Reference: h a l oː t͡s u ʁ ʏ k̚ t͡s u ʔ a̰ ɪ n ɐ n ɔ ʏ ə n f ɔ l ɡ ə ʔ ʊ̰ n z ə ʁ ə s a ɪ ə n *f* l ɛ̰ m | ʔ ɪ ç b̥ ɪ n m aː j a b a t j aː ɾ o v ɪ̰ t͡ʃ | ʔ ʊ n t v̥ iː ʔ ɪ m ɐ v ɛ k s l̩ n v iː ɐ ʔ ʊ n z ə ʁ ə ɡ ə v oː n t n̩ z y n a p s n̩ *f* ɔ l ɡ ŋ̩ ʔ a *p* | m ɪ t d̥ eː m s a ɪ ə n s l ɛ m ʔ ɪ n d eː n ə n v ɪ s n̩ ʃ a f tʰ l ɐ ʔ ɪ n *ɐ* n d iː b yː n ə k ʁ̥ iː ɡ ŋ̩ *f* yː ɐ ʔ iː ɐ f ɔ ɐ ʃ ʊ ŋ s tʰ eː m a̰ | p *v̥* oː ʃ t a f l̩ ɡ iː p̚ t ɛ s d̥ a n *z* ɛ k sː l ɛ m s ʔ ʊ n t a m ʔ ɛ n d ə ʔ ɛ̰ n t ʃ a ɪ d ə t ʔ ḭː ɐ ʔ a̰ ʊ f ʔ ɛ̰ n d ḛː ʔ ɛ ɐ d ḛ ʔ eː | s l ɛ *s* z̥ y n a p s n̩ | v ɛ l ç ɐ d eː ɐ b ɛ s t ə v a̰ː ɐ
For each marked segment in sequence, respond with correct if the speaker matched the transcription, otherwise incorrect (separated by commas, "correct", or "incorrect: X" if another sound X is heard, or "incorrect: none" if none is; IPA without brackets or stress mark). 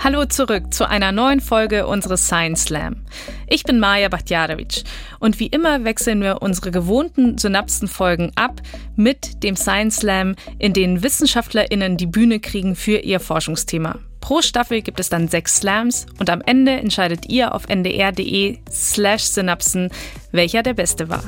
incorrect: s, correct, correct, incorrect: ə, correct, incorrect: ʁ̥, correct, incorrect: ʃ